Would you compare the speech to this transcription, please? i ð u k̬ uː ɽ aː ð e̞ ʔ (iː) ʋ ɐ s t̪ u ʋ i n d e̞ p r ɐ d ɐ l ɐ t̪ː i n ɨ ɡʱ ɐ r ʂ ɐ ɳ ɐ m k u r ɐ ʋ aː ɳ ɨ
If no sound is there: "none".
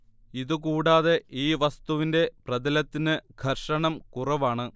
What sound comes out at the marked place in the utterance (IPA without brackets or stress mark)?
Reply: iː